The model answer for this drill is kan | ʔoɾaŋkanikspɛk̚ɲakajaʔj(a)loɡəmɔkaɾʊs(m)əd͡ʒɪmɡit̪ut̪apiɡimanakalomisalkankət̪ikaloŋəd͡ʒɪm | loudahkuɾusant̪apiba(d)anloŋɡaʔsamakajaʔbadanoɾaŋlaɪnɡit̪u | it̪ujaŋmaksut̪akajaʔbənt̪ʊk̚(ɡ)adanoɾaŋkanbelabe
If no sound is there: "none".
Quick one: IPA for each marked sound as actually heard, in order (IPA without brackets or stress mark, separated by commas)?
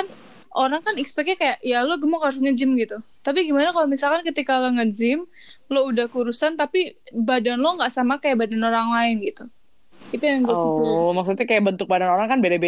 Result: a, ŋ, d, b